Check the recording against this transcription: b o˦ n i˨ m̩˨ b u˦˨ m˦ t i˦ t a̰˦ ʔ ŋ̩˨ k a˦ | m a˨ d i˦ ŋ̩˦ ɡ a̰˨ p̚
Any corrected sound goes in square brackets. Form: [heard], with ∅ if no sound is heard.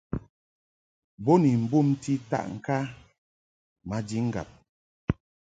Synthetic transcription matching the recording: b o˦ n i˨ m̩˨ b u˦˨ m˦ t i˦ t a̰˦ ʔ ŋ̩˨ k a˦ | m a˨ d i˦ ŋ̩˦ ɡ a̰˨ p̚